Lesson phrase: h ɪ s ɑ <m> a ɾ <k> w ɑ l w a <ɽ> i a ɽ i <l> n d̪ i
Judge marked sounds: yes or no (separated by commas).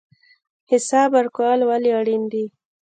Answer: no, yes, no, no